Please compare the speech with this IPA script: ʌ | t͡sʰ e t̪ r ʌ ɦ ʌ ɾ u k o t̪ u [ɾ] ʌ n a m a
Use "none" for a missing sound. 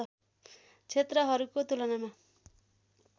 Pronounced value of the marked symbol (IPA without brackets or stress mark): l